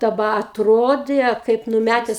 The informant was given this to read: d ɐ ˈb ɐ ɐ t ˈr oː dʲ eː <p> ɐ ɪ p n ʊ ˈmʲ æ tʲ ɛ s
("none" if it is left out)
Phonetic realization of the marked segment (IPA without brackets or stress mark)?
k